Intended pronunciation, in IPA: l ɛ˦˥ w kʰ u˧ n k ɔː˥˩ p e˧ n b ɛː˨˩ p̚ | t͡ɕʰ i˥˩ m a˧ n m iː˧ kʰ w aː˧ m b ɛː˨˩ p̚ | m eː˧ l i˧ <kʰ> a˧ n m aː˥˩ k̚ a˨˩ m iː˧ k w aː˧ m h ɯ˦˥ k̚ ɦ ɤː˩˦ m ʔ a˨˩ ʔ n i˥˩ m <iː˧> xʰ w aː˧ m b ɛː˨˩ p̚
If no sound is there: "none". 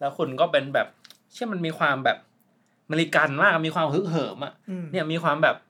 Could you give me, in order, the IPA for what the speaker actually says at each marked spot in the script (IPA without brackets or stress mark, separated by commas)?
k, iː˧